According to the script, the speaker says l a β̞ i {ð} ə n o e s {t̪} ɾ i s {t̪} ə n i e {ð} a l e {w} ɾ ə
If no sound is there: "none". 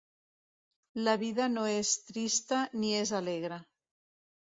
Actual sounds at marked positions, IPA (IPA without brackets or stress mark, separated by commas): ð, t̪, t̪, z, ɣ